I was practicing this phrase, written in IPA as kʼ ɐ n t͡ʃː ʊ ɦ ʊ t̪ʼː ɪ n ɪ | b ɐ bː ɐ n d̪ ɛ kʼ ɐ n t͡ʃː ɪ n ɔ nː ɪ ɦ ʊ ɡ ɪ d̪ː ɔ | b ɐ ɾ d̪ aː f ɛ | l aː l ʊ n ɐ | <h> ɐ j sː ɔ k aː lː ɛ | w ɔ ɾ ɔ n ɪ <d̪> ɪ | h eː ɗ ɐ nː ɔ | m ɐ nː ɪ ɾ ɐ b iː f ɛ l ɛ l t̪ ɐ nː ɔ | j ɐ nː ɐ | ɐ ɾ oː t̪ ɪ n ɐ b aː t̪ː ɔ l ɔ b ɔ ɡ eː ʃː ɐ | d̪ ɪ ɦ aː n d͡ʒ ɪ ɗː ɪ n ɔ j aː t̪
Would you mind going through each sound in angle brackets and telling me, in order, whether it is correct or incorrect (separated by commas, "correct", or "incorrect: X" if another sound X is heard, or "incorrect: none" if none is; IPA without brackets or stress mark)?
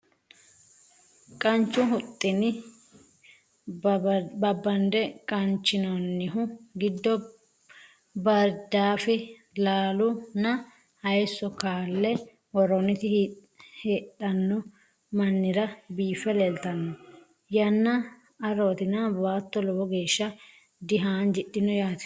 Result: correct, incorrect: t̪